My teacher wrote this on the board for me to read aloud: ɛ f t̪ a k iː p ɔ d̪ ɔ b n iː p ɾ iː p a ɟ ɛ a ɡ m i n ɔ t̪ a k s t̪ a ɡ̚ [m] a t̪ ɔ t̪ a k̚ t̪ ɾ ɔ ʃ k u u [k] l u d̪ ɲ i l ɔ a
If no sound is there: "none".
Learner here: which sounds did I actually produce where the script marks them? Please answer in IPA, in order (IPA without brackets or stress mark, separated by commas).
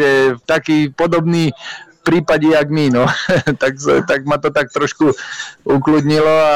m, k